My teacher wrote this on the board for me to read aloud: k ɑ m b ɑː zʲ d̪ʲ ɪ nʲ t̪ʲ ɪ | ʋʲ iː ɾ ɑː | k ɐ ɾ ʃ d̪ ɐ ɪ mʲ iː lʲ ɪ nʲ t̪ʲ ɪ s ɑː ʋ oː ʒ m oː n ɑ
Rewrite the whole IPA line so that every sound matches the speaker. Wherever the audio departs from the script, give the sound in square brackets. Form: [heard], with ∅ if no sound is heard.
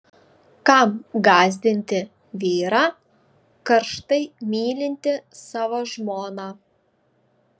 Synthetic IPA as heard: k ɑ m [ɡ] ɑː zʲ d̪ʲ ɪ nʲ t̪ʲ ɪ | ʋʲ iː ɾ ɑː | k ɐ ɾ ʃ [t̪] ɐ ɪ mʲ iː lʲ ɪ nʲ t̪ʲ ɪ s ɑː ʋ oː ʒ m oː n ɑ